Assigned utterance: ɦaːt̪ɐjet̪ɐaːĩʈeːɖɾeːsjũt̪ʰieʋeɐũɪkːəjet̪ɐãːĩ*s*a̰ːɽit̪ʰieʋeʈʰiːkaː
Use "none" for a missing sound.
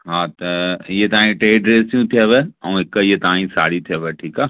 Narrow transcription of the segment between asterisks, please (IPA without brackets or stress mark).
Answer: s